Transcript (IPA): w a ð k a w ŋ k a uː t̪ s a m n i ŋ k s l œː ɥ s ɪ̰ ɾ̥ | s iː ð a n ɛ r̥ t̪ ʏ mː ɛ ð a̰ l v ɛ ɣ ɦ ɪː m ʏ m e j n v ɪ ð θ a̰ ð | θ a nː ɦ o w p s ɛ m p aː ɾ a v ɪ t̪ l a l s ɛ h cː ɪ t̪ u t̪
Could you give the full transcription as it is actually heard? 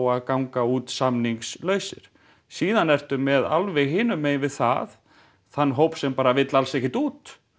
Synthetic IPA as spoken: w a ð k a w ŋ k a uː t̪ s a m n i ŋ k s l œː ɥ s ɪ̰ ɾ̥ | s iː ð a n ɛ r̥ t̪ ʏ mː ɛ ð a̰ l v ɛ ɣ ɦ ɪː n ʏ m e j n v ɪ ð θ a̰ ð | θ a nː ɦ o w p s ɛ m p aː ɾ a v ɪ t̪ l a l s ɛ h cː ɪ t̪ uː t̪